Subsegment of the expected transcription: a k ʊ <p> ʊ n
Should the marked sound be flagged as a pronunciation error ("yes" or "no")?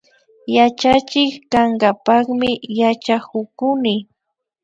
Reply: yes